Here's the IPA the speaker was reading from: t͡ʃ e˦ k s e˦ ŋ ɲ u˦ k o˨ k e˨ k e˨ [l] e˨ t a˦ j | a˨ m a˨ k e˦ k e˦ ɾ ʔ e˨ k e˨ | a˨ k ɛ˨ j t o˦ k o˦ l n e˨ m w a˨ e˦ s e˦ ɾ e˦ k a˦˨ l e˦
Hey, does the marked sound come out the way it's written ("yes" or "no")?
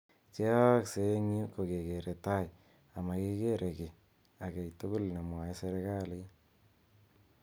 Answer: no